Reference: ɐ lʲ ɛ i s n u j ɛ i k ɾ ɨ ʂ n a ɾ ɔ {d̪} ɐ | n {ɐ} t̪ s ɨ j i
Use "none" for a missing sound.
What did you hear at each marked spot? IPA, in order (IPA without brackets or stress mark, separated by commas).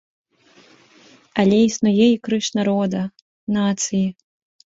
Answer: d̪, a